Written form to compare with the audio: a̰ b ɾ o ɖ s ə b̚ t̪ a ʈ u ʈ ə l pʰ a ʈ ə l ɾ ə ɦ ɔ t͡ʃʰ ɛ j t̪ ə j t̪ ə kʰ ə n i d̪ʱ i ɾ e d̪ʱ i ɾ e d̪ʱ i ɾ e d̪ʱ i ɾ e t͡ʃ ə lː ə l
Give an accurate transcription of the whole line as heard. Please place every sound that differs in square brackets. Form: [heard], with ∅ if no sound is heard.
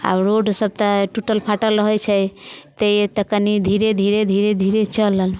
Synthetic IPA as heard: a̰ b ɾ o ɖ s ə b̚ t̪ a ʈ u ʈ ə l pʰ a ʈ ə l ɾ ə ɦ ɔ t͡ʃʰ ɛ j t̪ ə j t̪ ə [k] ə n i d̪ʱ i ɾ e d̪ʱ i ɾ e d̪ʱ i ɾ e d̪ʱ i ɾ e t͡ʃ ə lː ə l